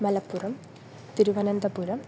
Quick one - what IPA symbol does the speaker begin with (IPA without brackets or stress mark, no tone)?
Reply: m